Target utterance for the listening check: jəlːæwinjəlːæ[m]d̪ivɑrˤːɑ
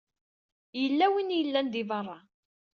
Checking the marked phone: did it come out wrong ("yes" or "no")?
yes